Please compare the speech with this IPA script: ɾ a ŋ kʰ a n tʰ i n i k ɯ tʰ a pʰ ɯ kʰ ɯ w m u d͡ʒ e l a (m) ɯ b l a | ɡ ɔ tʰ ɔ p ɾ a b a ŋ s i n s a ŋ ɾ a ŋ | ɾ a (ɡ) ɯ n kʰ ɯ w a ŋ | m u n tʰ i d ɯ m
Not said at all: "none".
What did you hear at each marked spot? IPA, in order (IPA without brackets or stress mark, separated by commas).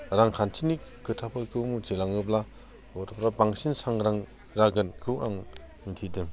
ŋ, ɡ